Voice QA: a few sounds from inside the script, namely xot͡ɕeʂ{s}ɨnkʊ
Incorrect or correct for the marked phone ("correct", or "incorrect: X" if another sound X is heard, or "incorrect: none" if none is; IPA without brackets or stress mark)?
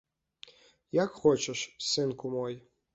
correct